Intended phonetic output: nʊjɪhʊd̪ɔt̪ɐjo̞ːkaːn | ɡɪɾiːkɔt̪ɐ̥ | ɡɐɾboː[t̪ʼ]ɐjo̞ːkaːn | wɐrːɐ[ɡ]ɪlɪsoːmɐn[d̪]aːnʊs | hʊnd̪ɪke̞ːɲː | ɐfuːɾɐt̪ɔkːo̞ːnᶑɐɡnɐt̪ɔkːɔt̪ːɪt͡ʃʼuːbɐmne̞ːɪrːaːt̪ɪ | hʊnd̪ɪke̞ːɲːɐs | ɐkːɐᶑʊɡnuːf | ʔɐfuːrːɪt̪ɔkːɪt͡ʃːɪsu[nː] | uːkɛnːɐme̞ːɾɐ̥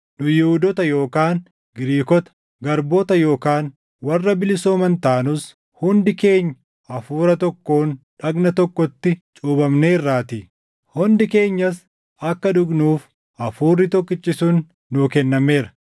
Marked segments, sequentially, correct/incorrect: incorrect, incorrect, incorrect, correct

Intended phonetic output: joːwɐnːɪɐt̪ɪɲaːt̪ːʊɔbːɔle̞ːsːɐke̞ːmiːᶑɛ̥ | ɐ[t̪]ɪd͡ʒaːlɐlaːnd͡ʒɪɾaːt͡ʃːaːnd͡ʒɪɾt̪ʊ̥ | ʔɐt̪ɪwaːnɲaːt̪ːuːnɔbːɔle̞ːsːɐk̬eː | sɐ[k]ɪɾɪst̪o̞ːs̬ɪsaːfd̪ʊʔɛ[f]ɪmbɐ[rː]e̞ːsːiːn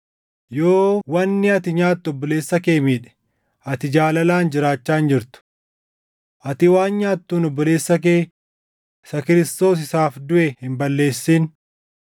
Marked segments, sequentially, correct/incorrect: correct, correct, incorrect, incorrect

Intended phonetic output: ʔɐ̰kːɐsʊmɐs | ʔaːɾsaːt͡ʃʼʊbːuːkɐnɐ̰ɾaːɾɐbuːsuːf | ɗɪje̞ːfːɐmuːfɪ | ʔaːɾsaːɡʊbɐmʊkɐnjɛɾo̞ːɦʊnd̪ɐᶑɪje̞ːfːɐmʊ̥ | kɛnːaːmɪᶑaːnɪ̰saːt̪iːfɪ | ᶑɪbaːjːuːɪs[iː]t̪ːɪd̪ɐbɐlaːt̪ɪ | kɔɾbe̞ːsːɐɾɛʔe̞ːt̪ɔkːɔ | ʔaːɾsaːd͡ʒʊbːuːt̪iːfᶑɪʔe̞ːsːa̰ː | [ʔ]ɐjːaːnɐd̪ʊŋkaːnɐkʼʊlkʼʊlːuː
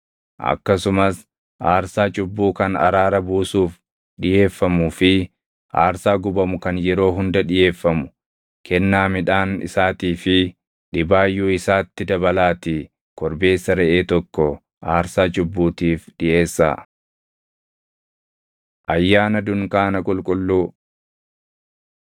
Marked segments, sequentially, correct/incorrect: incorrect, correct

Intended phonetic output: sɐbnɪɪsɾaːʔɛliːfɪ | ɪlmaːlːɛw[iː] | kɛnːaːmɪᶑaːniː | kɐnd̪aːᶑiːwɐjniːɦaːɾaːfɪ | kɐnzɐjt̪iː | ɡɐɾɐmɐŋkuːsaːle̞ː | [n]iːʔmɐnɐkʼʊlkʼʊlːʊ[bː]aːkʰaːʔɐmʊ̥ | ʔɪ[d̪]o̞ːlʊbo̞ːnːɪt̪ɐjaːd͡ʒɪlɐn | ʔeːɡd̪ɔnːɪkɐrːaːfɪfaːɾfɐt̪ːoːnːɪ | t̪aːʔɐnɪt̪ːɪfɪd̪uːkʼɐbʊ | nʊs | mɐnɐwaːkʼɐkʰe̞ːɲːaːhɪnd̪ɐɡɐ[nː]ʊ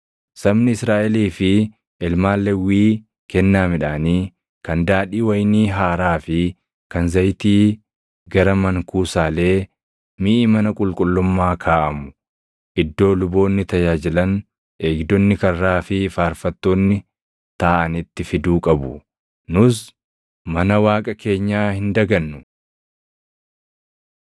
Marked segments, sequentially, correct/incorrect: correct, incorrect, incorrect, incorrect, correct

